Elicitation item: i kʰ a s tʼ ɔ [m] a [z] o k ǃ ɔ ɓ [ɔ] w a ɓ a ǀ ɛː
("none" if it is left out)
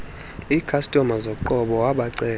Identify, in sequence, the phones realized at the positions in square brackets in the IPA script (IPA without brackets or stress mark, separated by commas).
m, z, ɔ